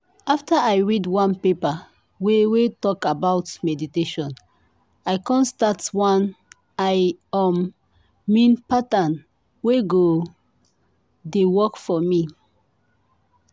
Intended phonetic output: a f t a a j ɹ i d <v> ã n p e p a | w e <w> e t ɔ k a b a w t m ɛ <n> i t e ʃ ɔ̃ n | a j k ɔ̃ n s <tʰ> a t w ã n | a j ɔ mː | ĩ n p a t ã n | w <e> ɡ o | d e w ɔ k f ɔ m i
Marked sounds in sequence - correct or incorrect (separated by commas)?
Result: incorrect, correct, incorrect, incorrect, correct